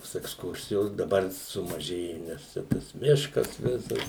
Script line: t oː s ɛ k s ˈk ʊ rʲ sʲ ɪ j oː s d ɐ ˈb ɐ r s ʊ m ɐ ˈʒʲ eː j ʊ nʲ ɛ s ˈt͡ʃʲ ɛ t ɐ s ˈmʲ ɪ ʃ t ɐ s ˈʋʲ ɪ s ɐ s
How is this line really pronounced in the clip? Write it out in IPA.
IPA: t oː s ɛ k s ˈk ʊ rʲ sʲ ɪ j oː s d ɐ ˈb ɐ r s ʊ m ɐ ˈʒʲ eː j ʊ nʲ ɛ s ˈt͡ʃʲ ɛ t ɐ s ˈmʲ ɪ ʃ k ɐ s ˈʋʲ ɪ s ɐ s